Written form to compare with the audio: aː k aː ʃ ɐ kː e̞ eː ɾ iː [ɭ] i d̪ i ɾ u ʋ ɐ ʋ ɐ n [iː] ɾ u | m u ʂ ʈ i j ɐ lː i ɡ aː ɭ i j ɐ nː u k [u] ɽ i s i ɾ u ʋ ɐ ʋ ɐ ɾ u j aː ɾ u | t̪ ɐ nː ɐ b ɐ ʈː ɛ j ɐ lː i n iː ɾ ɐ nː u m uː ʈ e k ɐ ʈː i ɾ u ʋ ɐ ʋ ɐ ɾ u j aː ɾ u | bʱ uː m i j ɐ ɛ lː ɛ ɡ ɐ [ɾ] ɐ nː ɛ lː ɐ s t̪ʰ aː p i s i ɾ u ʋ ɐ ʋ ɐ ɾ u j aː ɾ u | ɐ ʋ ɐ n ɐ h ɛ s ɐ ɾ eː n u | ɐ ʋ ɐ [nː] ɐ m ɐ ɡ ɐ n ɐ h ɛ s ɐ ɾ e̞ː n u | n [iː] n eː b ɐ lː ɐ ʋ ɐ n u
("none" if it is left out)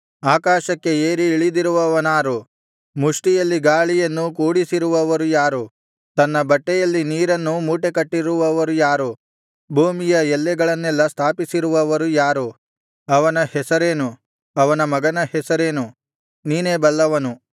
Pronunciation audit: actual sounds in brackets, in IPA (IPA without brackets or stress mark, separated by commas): ɭ, aː, uː, ɭ, n, iː